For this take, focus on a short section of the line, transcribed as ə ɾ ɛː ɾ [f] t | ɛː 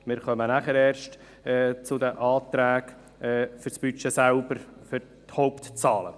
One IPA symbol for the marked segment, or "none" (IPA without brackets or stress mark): ʃ